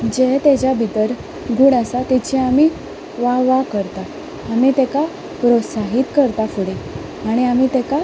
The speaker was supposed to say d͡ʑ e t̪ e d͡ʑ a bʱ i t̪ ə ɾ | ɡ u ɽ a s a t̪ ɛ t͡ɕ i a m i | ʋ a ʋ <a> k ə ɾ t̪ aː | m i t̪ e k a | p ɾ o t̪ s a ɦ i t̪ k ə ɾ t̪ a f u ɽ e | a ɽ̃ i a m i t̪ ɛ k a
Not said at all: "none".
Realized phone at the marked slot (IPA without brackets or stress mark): a